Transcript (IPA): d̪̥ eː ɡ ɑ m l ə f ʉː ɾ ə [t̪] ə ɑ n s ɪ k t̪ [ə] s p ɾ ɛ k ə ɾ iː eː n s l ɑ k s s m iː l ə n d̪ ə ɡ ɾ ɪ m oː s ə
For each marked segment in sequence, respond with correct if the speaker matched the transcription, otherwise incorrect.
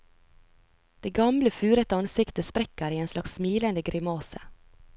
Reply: correct, correct

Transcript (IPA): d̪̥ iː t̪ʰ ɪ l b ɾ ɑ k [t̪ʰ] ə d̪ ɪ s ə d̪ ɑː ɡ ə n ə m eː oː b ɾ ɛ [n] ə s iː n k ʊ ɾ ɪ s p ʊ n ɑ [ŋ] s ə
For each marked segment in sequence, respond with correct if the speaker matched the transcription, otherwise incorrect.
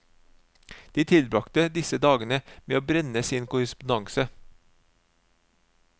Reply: incorrect, correct, correct

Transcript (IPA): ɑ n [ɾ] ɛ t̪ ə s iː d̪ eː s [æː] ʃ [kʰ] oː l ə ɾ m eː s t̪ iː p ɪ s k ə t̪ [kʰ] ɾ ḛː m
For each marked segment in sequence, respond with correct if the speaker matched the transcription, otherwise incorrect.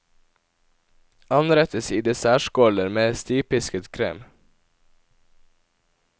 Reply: correct, correct, incorrect, correct

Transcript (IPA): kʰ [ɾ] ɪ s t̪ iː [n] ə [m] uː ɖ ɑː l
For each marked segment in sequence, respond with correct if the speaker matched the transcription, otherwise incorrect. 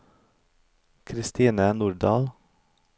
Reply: correct, correct, incorrect

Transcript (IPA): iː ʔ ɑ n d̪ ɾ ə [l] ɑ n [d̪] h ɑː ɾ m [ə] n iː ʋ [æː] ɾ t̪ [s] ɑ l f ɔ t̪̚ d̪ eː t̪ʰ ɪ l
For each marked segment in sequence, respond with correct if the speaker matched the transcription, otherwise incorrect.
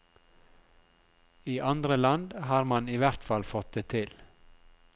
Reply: correct, correct, incorrect, incorrect, incorrect

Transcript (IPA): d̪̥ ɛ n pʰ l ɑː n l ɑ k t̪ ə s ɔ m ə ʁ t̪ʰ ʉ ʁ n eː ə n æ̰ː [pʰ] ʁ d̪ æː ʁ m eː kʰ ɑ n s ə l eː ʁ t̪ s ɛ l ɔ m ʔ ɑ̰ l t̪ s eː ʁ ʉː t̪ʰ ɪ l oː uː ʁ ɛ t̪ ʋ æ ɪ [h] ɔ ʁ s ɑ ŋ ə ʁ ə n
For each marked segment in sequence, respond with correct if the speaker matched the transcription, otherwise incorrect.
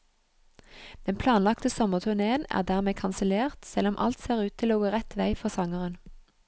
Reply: incorrect, incorrect

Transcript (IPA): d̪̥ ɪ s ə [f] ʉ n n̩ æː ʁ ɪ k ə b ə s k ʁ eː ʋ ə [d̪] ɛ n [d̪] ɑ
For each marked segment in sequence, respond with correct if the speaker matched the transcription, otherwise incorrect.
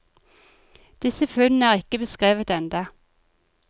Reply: correct, incorrect, correct

